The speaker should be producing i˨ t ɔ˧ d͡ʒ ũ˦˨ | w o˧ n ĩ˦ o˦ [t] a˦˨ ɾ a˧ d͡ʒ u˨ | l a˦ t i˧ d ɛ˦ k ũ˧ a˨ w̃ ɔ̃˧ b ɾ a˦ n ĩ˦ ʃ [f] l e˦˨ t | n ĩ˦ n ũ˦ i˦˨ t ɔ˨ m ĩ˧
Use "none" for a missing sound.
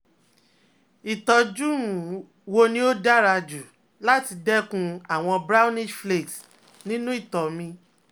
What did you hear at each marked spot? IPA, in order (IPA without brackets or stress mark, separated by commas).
d, f